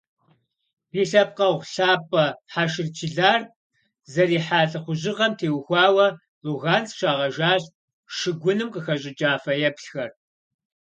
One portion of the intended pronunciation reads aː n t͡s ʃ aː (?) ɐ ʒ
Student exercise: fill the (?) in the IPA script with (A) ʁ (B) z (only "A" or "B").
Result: A